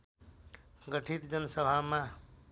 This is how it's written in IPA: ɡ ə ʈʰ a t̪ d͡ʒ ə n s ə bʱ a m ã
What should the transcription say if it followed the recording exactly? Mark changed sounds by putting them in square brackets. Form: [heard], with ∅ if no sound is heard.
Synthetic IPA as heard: ɡ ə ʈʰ [i] t̪ d͡ʒ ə n s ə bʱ a m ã